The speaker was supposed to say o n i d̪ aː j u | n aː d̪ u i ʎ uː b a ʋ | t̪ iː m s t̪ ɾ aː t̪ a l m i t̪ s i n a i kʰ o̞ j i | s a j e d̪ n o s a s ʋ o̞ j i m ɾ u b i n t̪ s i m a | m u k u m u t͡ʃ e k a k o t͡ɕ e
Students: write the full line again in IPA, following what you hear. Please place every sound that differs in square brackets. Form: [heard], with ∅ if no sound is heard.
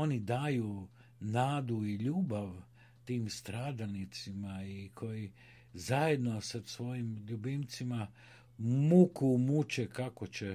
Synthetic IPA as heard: o n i d̪ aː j u | n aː d̪ u i ʎ uː b a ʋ | t̪ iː m s t̪ ɾ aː [d̪] a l [n] i t̪ s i [m] a i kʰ o̞ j i | [z] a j e d̪ n o s a s ʋ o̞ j i m [ʎ] u b i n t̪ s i m a | m u k u m u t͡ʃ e k a k o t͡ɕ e